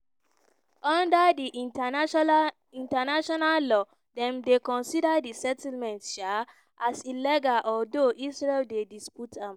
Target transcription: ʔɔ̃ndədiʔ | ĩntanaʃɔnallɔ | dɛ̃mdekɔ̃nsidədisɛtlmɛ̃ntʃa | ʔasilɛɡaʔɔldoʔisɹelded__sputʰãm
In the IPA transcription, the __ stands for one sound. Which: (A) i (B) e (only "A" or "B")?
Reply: A